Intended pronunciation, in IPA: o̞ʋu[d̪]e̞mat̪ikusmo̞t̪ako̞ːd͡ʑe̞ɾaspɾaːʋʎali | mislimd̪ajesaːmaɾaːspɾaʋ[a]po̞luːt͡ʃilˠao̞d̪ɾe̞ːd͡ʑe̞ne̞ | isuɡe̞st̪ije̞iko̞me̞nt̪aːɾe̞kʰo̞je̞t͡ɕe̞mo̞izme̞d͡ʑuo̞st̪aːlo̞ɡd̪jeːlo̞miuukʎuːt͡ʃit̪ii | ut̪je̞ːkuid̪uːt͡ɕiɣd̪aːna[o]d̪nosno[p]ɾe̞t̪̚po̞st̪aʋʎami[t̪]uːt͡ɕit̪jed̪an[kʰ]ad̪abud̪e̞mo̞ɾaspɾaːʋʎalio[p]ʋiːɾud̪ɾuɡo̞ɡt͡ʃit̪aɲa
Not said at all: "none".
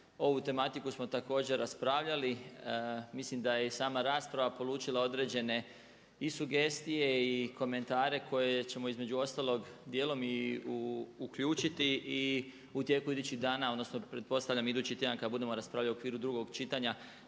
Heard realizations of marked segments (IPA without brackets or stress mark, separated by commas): t̪, a, o, p, d̪, k, k